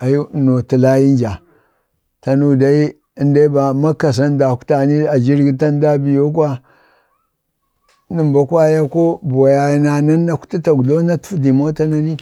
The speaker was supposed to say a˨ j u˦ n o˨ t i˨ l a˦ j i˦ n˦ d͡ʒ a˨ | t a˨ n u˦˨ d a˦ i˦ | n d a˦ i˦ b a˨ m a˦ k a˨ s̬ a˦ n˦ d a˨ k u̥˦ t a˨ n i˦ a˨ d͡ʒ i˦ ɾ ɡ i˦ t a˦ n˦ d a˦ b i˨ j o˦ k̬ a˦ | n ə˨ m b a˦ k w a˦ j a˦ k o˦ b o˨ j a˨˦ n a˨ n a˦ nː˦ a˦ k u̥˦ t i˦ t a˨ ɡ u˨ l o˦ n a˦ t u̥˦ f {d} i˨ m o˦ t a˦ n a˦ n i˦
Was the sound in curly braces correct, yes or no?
yes